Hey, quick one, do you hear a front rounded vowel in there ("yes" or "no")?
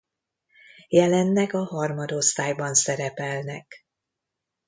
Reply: no